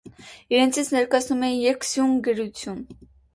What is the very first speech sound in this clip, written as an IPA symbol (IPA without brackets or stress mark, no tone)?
i